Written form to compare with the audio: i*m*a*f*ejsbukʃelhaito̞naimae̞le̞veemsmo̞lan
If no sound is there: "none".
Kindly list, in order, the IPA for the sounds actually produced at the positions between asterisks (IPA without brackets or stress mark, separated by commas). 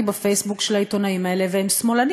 b, f